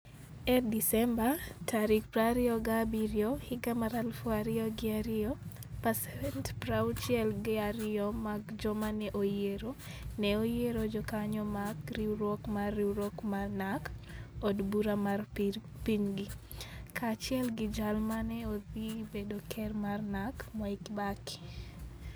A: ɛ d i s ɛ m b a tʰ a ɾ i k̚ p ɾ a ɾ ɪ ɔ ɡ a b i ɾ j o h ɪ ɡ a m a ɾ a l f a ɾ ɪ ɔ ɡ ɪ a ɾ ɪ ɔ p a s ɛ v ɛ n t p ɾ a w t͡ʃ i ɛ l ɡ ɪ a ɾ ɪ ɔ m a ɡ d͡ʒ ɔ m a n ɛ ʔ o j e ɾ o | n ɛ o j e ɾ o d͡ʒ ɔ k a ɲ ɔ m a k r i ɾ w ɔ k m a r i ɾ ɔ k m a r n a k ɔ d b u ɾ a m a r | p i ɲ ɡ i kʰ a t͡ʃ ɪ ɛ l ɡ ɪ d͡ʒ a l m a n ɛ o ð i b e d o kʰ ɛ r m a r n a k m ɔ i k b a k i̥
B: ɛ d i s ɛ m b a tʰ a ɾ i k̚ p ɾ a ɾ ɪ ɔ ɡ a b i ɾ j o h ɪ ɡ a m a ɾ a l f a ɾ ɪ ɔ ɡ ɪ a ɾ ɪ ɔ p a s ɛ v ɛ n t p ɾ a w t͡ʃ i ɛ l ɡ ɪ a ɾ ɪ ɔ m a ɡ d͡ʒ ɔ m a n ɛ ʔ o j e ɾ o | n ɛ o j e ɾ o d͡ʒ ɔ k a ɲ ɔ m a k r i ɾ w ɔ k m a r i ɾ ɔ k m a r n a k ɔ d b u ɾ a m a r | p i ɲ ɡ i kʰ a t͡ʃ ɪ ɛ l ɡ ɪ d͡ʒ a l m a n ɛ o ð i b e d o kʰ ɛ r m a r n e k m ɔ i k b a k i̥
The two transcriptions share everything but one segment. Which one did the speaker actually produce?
A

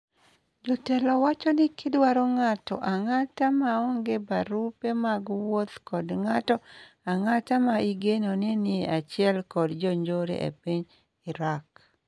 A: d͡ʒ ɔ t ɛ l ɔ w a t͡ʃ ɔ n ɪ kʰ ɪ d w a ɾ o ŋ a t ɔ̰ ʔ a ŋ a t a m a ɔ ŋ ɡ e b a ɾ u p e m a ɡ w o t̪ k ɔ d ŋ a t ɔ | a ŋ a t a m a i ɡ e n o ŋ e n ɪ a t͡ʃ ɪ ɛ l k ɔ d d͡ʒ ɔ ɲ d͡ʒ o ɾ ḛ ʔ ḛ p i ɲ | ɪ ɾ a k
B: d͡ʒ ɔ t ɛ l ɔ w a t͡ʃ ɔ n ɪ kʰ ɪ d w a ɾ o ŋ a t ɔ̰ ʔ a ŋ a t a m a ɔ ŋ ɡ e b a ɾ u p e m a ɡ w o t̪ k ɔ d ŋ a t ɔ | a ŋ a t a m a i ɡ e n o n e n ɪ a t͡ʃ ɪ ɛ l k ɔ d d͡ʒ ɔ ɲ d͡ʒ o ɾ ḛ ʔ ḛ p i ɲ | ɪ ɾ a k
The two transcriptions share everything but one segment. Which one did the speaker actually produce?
B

